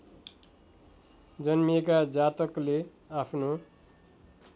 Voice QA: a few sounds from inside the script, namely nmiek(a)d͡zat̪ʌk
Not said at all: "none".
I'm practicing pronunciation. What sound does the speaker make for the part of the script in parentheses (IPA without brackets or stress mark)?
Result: a